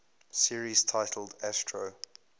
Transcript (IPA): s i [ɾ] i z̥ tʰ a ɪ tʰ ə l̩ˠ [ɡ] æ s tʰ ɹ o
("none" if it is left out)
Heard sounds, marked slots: ɹ, d

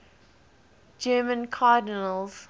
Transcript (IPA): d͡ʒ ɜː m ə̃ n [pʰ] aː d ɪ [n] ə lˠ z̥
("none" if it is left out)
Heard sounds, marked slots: kʰ, n

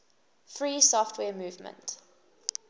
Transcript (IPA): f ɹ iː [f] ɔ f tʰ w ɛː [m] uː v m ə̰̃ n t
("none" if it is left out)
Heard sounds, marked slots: s, m

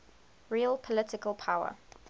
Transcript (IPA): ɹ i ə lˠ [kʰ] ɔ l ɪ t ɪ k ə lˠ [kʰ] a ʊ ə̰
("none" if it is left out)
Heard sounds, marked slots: pʰ, pʰ

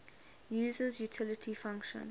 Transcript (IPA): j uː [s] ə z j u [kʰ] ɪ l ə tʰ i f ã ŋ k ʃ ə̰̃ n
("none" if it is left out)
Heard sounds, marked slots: z, tʰ

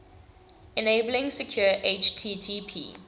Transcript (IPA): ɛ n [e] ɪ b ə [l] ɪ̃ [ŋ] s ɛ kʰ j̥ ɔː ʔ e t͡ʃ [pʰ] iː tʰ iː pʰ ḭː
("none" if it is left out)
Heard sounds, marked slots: e, l, ŋ, tʰ

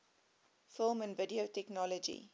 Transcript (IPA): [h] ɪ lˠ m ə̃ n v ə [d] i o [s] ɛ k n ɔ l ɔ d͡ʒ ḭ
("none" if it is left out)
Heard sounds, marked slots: f, d, t

